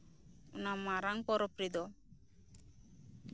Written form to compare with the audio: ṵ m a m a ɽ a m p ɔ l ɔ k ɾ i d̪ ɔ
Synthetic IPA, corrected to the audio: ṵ n a m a ɾ a ŋ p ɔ ɾ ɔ p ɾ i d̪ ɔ